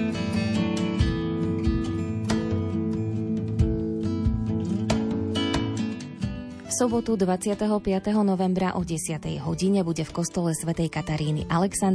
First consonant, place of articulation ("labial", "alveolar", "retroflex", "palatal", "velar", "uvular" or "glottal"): labial